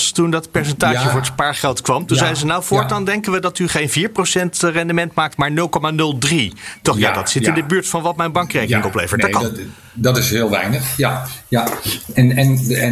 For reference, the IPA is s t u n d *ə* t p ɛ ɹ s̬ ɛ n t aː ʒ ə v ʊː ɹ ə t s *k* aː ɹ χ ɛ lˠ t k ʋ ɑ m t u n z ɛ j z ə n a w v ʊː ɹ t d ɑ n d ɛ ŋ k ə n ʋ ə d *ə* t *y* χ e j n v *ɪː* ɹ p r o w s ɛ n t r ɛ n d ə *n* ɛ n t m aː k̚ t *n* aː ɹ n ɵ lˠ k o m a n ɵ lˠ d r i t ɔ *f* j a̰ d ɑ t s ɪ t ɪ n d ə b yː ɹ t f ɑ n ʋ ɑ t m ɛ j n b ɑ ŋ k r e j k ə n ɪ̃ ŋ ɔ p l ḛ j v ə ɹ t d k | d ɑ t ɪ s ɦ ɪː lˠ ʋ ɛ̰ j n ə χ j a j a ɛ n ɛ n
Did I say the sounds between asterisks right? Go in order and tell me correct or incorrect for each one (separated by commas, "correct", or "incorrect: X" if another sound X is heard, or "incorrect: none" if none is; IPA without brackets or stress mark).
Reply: incorrect: ɑ, incorrect: p, incorrect: ɑ, correct, incorrect: iː, incorrect: m, incorrect: m, incorrect: χ